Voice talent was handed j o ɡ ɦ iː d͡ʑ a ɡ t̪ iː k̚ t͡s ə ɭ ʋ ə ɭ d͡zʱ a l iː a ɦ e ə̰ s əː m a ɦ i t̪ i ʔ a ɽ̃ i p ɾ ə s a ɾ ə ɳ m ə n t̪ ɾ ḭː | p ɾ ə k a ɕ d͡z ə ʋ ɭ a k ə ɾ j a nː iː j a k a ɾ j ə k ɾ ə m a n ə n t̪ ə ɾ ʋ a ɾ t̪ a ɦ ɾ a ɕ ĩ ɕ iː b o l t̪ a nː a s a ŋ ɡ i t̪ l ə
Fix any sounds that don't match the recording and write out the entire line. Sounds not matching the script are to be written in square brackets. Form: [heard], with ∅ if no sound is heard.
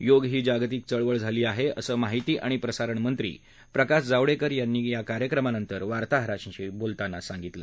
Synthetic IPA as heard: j o ɡ ɦ iː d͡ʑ a ɡ t̪ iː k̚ t͡s ə ɭ ʋ ə ɭ d͡zʱ a l iː a ɦ e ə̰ s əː m a ɦ i t̪ [iː] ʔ a ɽ̃ i p ɾ ə s a ɾ ə ɳ m ə n t̪ ɾ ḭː | p ɾ ə k a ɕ d͡z [a] ʋ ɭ [e] k ə ɾ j a nː iː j a k a ɾ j ə k ɾ ə m a n ə n t̪ ə ɾ ʋ a ɾ t̪ a ɦ ɾ a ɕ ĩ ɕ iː b o l t̪ a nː a s a ŋ ɡ i t̪ l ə

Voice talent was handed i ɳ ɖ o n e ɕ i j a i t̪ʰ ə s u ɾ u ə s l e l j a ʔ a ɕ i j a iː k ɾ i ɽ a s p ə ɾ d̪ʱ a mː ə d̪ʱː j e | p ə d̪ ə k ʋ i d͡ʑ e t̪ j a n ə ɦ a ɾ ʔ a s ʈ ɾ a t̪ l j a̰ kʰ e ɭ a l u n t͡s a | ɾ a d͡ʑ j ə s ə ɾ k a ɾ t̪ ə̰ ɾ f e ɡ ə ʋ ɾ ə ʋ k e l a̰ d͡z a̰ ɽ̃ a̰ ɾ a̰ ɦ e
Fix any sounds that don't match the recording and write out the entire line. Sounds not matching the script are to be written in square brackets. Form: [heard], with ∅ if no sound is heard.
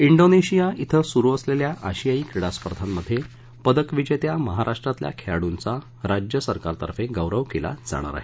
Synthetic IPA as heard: i ɳ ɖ o n e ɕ i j a i t̪ʰ ə s u ɾ u ə s l e l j a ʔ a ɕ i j a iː k ɾ i ɽ a s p ə ɾ d̪ʱ a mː ə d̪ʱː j e | p ə d̪ ə k ʋ i d͡ʑ e t̪ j a [m] ə ɦ a ɾ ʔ a [ʂ] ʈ ɾ a t̪ l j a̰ kʰ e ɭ a [ɽ] u n t͡s a | ɾ a d͡ʑ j ə s ə ɾ k a ɾ t̪ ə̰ ɾ f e ɡ ə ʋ ɾ ə ʋ k e l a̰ d͡z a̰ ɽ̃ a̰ ɾ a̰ ɦ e

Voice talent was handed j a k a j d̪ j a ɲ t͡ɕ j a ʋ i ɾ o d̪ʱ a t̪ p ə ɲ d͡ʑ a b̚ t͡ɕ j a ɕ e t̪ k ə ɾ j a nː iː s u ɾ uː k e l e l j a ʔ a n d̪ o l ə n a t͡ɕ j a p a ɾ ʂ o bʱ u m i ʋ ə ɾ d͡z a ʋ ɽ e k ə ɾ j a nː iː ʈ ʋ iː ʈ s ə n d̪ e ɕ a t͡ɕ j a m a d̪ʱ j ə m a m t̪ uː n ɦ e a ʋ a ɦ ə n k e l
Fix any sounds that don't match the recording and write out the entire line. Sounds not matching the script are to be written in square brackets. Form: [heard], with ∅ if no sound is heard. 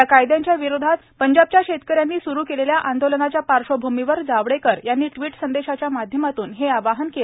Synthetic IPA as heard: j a k a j d̪ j a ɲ t͡ɕ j a ʋ i ɾ o d̪ʱ a t̪ p ə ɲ d͡ʑ a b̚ t͡ɕ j a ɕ e t̪ k ə ɾ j a nː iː s u ɾ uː k e l e l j a ʔ a n d̪ o l ə n a t͡ɕ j a p a ɾ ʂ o bʱ u m i ʋ ə ɾ d͡z a ʋ ɽ e k ə ɾ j a nː iː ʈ ʋ iː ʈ s ə n d̪ e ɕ a t͡ɕ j a m a d̪ʱ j ə m a [∅] t̪ uː n ɦ e a ʋ a ɦ ə n k e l

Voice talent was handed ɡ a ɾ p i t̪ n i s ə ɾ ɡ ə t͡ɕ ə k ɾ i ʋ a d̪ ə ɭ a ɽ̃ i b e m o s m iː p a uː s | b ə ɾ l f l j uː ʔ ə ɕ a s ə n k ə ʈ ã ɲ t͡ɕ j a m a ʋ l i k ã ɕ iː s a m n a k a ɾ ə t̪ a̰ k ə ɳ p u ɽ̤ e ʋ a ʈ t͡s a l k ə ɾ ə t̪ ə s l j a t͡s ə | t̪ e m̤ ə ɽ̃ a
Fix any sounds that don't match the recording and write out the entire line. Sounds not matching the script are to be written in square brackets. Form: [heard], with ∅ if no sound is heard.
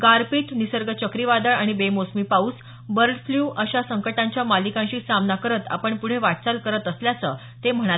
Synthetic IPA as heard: ɡ a ɾ p i t̪ n i s ə ɾ ɡ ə t͡ɕ ə k ɾ i ʋ a d̪ ə ɭ a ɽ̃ i b e m o s m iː p a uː s | b ə ɾ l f l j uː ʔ ə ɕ a s ə [ŋ] k ə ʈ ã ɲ t͡ɕ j a m a [∅] l i k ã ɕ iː s a m n a k [ə] ɾ ə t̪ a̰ [p] ə ɳ p u ɽ̤ e ʋ a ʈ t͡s a l k ə ɾ ə t̪ ə s l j a t͡s ə | t̪ e m̤ ə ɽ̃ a

